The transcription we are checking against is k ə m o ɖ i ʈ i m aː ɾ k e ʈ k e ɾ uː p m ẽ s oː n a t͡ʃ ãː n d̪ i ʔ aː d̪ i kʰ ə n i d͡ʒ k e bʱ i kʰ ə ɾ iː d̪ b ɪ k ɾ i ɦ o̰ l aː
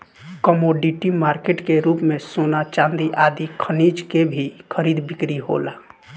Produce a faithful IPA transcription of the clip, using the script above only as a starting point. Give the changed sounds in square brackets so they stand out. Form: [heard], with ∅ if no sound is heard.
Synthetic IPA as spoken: k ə m o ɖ i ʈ i m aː ɾ k e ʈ k e ɾ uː p m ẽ s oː n a t͡ʃ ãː n d̪ i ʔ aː d̪ i kʰ ə n i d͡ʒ k e bʱ i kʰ ə ɾ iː d̪ b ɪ k ɾ i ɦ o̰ l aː

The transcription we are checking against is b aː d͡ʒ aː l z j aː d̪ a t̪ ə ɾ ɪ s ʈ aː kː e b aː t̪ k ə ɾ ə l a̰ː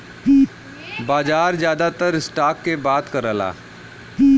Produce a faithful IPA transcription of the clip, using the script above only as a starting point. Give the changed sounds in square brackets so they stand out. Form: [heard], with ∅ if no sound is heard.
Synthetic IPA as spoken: b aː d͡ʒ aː [ɾ] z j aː d̪ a t̪ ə ɾ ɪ s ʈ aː kː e b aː t̪ k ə ɾ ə l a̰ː

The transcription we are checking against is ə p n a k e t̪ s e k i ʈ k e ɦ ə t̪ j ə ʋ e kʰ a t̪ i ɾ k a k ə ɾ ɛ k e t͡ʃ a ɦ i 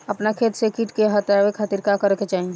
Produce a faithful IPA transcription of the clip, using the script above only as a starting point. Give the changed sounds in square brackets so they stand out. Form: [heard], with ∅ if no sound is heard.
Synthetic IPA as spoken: ə p n a [kʰ] e t̪ s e k i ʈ k e ɦ ə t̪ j [a] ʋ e kʰ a t̪ i ɾ k a k ə ɾ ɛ k e t͡ʃ a ɦ i

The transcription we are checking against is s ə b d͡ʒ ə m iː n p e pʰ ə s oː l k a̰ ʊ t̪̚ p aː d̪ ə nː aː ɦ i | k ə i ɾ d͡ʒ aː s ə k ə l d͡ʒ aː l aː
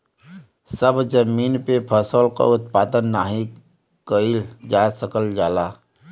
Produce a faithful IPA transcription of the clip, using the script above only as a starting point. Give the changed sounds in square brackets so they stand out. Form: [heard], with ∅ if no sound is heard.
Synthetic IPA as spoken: s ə b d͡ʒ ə m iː n p e pʰ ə s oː l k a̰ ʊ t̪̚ p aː d̪ ə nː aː ɦ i | k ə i [l] d͡ʒ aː s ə k ə l d͡ʒ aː l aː

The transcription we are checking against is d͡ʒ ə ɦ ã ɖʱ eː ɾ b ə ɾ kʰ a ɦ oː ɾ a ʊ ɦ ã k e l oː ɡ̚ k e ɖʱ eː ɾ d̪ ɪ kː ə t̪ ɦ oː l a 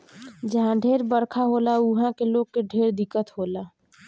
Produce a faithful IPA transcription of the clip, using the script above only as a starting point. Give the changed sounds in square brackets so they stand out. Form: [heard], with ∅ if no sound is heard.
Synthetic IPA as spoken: d͡ʒ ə ɦ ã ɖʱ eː ɾ b ə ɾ kʰ a ɦ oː [l] a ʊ ɦ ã k e l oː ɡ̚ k e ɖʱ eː ɾ d̪ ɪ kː ə t̪ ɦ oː l a

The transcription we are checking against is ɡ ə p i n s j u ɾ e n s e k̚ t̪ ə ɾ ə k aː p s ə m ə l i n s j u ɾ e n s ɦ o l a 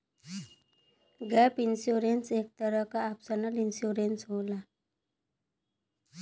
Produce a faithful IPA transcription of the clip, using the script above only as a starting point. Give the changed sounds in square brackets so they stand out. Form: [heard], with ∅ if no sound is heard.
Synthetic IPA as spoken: ɡ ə p i n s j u ɾ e n s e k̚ t̪ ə ɾ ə k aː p s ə [n] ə l i n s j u ɾ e n s ɦ o l a

